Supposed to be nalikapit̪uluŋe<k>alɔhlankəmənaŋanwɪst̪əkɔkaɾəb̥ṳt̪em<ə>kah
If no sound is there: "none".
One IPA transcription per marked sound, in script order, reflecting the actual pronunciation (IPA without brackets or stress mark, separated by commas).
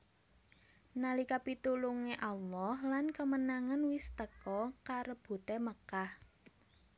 ʔ, ə